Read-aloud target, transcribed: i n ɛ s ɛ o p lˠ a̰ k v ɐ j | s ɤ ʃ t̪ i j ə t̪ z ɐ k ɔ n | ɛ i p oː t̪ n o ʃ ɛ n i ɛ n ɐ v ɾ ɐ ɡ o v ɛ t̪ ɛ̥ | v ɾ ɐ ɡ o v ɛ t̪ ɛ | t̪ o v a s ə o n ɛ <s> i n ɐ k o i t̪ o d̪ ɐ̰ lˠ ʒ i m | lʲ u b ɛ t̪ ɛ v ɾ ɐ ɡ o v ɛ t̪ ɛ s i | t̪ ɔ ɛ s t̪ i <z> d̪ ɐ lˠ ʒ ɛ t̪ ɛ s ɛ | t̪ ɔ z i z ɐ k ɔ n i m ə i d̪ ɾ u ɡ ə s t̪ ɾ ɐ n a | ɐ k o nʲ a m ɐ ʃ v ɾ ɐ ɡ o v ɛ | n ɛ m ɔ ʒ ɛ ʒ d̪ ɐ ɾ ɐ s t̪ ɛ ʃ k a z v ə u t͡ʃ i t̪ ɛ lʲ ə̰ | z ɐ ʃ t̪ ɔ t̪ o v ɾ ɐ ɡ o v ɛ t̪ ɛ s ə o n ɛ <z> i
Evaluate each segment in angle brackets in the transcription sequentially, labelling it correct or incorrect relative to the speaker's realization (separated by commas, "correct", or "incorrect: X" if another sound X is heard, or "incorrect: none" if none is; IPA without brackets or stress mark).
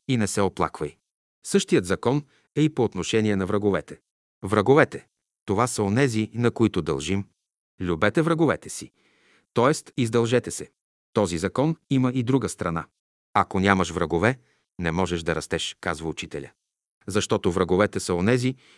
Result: incorrect: z, correct, correct